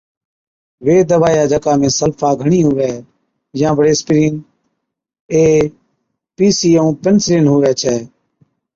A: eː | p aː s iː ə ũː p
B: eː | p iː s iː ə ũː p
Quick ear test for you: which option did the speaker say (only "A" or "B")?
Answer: B